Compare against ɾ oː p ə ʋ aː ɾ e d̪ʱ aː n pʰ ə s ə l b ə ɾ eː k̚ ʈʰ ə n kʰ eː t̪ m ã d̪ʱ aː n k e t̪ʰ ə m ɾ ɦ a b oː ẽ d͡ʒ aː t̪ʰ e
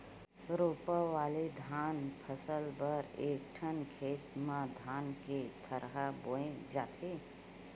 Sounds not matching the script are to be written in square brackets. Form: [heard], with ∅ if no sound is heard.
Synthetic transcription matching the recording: ɾ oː p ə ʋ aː [l] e d̪ʱ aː n pʰ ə s ə l b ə ɾ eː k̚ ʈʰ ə n kʰ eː t̪ m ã d̪ʱ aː n k e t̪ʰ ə [∅] ɾ ɦ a b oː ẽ d͡ʒ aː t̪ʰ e